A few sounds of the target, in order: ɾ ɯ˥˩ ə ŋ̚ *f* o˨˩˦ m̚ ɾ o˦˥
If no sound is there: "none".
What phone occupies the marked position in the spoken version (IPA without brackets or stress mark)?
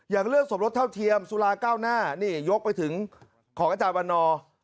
s